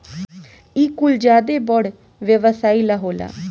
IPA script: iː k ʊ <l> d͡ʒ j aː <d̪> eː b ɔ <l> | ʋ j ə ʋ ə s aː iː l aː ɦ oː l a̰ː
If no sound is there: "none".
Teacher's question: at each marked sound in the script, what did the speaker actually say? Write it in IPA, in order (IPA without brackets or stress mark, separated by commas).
l, d̪, ɽ